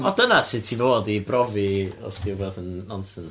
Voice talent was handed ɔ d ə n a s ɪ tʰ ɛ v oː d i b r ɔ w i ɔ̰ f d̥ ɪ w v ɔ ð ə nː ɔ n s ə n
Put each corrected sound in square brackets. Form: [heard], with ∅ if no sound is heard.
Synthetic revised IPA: ɔ d ə n a s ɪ tʰ [i] v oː d i b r ɔ [v] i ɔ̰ [s] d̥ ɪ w v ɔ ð ə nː ɔ n s ə n